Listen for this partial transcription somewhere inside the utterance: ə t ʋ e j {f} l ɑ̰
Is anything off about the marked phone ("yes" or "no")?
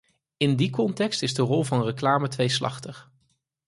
yes